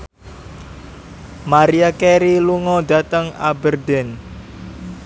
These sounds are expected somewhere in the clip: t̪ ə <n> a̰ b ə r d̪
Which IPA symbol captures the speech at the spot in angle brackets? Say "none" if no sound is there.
ŋ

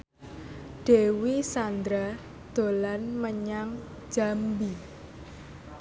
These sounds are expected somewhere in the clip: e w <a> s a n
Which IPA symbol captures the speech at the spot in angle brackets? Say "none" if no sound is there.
i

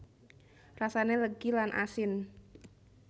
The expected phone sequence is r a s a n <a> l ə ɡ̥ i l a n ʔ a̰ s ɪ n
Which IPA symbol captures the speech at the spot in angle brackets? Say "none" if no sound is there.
e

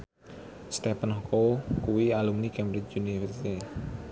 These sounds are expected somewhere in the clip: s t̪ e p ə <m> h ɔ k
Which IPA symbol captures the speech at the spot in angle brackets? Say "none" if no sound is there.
n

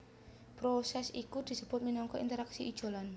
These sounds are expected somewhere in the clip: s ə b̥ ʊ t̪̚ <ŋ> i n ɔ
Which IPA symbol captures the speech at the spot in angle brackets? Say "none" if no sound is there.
m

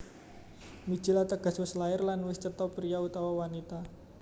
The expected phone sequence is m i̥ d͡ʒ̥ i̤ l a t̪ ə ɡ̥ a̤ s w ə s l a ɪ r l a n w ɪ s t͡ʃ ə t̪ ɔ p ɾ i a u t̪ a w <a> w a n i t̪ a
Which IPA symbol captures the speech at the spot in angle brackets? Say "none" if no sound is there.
a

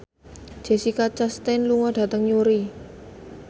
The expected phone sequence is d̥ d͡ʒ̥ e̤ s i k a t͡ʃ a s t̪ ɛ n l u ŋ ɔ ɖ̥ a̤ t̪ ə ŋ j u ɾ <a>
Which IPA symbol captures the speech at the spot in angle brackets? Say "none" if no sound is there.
i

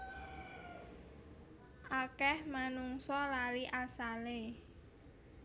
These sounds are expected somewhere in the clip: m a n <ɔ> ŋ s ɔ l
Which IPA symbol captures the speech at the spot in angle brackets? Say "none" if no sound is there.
u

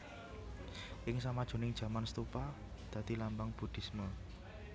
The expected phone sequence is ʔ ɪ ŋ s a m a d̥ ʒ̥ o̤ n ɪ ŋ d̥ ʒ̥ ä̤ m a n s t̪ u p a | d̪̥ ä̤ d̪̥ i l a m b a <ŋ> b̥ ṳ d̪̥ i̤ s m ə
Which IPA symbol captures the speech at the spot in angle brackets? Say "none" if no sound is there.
ŋ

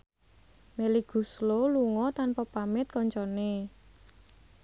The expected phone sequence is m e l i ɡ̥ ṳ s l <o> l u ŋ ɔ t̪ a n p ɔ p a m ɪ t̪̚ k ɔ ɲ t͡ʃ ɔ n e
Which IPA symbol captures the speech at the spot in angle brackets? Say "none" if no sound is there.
o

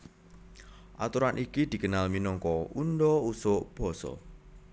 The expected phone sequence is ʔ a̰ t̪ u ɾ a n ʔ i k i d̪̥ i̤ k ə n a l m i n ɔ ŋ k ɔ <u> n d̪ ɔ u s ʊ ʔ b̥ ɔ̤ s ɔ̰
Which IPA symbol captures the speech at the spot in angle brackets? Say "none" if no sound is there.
u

